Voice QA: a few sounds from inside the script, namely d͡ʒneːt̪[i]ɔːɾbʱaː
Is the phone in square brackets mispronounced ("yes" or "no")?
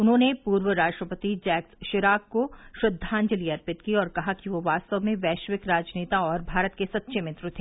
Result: yes